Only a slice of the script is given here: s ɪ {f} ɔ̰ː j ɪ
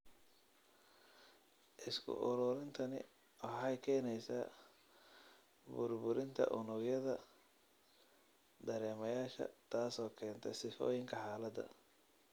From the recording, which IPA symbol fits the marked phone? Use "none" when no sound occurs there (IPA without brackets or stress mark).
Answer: f